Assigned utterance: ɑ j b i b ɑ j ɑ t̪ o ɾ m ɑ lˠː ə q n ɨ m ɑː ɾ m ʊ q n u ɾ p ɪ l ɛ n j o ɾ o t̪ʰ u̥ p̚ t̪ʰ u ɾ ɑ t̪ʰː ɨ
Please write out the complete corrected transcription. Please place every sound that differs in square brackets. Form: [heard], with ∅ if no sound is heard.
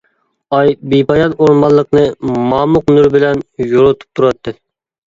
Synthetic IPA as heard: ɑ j b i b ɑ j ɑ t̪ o ɾ m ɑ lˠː ə q n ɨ m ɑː [∅] m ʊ q n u ɾ [b] ɪ l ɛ n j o ɾ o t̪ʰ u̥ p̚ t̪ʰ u ɾ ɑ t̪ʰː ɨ